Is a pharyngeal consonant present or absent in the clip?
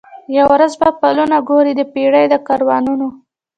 absent